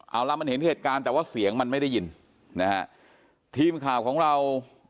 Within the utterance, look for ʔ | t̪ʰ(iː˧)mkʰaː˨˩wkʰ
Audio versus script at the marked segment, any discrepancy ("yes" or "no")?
no